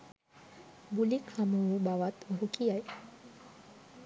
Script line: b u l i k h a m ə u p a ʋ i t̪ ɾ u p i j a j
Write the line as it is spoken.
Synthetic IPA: b u l i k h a m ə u b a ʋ a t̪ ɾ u k i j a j